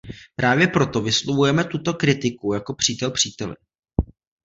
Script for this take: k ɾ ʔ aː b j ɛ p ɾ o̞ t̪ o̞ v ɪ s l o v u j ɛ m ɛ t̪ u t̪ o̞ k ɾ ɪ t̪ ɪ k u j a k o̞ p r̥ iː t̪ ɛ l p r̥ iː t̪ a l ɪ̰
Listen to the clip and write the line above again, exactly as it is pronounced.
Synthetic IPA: p ɾ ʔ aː v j ɛ p ɾ o̞ t̪ o̞ v ɪ s l o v u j ɛ m ɛ t̪ u t̪ o̞ k ɾ ɪ t̪ ɪ k u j a k o̞ p r̥ iː t̪ ɛ l p r̥ iː t̪ ɛ l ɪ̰

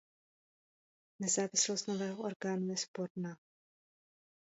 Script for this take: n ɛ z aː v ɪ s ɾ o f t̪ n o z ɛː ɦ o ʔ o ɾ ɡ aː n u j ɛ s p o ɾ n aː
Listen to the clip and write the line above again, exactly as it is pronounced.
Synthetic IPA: n ɛ z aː v ɪ s l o s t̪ n o v ɛː ɦ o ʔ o ɾ ɡ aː n u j ɛ s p o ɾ n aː

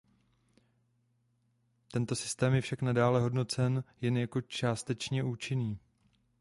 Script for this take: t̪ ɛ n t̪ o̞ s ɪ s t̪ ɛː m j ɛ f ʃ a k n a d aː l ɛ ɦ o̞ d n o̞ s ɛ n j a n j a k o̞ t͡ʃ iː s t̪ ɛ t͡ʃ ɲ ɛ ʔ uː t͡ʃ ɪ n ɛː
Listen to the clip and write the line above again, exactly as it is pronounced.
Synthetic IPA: t̪ ɛ n t̪ o̞ s ɪ s t̪ ɛː m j ɛ f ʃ a k n a d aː l ɛ ɦ o̞ d n o̞ t͡s ɛ n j ɛ n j a k o̞ t͡ʃ aː s t̪ ɛ t͡ʃ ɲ ɛ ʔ uː t͡ʃ ɪ n iː

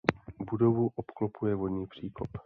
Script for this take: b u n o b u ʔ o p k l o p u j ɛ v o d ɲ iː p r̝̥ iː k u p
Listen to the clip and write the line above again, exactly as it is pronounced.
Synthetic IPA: b u d o v u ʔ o p k l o p u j ɛ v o d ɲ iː p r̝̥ iː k o p

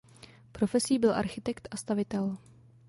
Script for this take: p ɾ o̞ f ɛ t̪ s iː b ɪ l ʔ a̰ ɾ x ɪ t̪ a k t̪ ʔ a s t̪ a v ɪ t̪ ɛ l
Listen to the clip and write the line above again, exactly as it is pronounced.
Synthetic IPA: p ɾ o̞ f ɛ s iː b ɪ l ʔ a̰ ɾ x ɪ t̪ ɛ k t̪ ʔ a s t̪ a v ɪ t̪ ɛ l

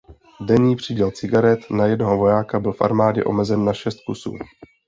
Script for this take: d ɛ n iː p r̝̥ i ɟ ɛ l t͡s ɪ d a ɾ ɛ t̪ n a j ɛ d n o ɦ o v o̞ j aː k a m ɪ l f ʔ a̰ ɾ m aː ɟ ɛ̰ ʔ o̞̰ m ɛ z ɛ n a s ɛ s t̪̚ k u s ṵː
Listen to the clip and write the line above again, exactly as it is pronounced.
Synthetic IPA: d ɛ ɲ iː p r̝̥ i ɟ ɛ l t͡s ɪ ɡ a ɾ ɛ t̪ n a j ɛ d n o ɦ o v o̞ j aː k a b ɪ l f ʔ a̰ ɾ m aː ɟ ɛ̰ ʔ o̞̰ m ɛ z ɛ nː a ʃ ɛ s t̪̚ k u s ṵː

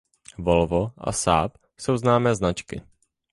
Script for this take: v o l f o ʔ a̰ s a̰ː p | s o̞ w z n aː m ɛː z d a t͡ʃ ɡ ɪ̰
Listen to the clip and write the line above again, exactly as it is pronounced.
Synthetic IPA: v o l v o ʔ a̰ s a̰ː p | s o̞ w z n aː m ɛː z n a t͡ʃ k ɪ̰

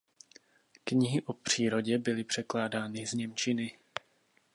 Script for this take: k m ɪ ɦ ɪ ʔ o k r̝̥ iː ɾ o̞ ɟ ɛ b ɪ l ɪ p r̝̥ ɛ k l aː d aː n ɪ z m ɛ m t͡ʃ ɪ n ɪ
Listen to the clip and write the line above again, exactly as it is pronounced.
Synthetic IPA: k ɲ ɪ ɦ ɪ ʔ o p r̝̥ iː ɾ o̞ ɟ ɛ b ɪ l ɪ p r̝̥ ɛ k l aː d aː n ɪ z ɲ ɛ m t͡ʃ ɪ n ɪ

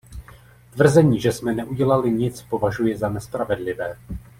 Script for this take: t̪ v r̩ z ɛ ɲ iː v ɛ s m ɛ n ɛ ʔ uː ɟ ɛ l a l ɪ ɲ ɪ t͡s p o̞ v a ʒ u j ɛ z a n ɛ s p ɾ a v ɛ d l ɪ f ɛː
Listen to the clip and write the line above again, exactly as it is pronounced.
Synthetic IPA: t̪ v r̩ z ɛ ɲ iː ʒ ɛ s m ɛ n ɛ ʔ u ɟ ɛ l a l ɪ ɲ ɪ t͡s p o̞ v a ʒ u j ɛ z a n ɛ s p ɾ a v ɛ d l ɪ v ɛː

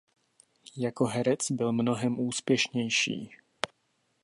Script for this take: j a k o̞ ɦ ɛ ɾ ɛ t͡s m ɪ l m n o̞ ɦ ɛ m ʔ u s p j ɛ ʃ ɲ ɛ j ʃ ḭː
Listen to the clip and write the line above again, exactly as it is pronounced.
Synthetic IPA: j a k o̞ ɦ ɛ ɾ ɛ t͡s b ɪ l m n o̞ ɦ ɛ m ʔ uː s p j ɛ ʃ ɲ ɛ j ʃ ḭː

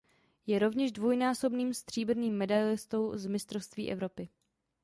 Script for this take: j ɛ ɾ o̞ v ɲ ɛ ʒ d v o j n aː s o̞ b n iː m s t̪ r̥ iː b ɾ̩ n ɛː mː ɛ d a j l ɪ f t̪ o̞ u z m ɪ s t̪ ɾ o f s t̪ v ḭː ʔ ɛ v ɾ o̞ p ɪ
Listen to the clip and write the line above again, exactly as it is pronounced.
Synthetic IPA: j ɛ ɾ o̞ v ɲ ɛ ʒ d v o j n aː s o̞ b n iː m s t̪ r̥ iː b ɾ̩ n iː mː ɛ d a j l ɪ s t̪ o̞ w z m ɪ s t̪ ɾ o f s t̪ v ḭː ʔ ɛ v ɾ o̞ p ɪ

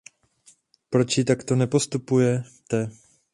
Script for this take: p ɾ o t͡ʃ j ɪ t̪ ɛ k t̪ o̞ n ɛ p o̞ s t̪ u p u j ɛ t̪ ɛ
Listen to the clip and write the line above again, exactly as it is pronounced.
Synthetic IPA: p ɾ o t͡ʃ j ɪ t̪ a k t̪ o̞ n ɛ p o̞ s t̪ u p u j ɛ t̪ ɛ

